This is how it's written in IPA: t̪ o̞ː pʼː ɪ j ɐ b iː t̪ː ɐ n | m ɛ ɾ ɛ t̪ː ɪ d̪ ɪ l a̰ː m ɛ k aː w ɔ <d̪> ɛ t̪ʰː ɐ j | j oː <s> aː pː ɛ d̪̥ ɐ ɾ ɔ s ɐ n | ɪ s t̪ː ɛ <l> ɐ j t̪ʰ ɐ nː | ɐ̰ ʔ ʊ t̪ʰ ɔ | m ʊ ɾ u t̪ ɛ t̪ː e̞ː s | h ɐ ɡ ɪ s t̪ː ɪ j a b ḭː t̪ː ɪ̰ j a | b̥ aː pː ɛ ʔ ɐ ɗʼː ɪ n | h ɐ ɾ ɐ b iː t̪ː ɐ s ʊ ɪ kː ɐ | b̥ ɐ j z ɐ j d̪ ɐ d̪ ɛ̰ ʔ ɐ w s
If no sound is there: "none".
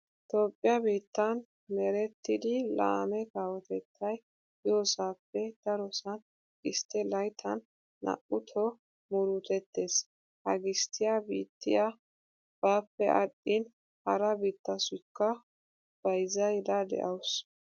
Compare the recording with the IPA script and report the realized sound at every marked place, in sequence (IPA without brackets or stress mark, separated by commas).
t̪, s, l